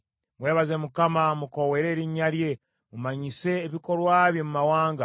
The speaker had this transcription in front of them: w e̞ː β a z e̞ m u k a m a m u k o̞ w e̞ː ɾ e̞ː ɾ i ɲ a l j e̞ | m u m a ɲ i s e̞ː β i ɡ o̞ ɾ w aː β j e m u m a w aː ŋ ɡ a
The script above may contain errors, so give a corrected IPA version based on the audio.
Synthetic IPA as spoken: w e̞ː β a z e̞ m u k a m a m u k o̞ w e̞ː ɾ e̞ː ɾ i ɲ a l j e̞ | m u m a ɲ i s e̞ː β i k o̞ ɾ w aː β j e m u m a w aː ŋ ɡ a